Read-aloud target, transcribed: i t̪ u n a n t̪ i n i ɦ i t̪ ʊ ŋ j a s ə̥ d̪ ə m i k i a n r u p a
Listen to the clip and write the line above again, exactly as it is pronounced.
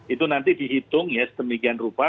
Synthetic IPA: i t̪ u n a n t̪ i d i ɦ i t̪ ʊ ŋ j a s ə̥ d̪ ə m i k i a n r u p a